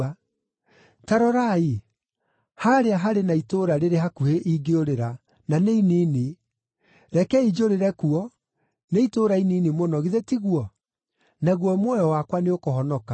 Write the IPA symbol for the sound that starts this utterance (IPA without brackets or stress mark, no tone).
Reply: t